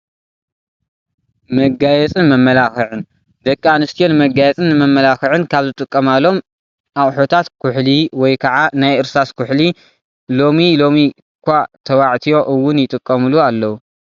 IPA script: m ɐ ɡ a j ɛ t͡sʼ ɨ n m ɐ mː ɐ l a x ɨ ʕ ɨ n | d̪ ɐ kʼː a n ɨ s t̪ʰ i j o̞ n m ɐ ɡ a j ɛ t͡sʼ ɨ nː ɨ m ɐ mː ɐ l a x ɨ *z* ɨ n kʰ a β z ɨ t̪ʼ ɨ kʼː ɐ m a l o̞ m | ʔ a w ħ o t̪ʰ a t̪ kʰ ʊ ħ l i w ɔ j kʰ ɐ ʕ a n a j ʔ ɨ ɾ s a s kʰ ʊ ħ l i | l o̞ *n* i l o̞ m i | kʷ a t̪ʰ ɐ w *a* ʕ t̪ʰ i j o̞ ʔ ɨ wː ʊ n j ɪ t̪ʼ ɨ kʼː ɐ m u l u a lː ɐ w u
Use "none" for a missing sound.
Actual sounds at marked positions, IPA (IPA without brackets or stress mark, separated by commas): ʕ, m, a